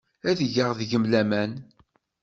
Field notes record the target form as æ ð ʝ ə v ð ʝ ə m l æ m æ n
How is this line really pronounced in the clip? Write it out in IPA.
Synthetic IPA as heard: æ ð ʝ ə ʁ ð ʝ ə m l æ m æ n